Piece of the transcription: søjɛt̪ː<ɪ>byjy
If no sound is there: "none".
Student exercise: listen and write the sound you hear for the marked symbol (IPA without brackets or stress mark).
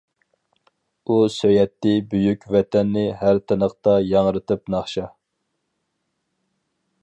ɪ